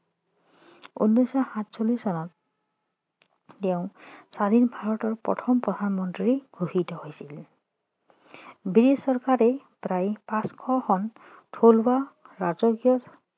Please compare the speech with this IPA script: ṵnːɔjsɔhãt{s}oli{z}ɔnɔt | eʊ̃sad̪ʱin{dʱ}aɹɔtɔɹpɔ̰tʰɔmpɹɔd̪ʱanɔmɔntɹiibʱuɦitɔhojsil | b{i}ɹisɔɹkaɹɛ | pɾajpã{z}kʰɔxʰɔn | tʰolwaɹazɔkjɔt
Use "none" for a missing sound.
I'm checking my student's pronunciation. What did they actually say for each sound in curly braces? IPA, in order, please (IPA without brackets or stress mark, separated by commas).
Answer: s, s, bʱ, i, s